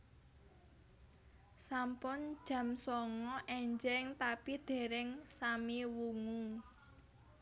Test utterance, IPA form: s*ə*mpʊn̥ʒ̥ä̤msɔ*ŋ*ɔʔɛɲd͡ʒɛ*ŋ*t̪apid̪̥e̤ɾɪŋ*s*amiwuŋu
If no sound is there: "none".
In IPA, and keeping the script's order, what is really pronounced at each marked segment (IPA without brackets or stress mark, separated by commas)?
a, ŋ, ŋ, s